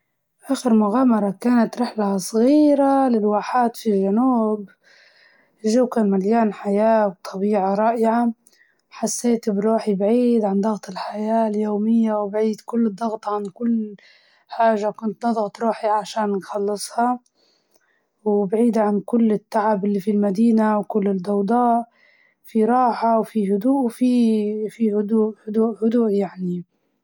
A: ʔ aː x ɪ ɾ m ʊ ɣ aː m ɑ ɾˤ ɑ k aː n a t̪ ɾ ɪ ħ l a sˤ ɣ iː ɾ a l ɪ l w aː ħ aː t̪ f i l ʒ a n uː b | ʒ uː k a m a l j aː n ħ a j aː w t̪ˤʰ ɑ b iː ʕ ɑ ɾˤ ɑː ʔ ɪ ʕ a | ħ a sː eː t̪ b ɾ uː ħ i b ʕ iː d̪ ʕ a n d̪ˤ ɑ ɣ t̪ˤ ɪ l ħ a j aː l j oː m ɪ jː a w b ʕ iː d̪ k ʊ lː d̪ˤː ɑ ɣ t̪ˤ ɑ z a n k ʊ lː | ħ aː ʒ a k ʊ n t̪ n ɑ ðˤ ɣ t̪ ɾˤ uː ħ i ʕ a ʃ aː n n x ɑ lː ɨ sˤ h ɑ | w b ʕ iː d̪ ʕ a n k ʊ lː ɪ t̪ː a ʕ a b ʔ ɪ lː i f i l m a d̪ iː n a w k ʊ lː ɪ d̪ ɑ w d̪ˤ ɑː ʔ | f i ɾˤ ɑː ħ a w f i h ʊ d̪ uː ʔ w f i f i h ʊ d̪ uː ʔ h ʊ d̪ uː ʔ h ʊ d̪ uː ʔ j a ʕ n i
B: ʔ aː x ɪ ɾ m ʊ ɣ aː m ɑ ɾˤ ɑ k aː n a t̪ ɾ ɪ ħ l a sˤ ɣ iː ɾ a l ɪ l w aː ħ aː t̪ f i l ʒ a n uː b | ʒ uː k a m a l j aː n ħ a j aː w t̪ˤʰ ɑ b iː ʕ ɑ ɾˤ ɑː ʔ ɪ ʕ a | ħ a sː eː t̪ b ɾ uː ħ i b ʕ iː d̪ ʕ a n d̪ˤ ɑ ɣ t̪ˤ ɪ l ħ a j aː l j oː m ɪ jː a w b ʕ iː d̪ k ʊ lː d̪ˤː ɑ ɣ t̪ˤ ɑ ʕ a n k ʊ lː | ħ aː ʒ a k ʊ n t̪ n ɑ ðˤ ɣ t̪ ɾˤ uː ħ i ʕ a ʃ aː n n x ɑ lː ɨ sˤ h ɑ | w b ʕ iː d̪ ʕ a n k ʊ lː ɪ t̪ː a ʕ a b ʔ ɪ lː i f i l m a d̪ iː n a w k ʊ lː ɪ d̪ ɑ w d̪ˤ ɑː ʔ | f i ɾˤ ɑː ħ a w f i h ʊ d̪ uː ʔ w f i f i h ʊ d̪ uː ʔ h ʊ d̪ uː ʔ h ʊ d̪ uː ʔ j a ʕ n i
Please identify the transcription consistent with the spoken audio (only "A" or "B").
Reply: B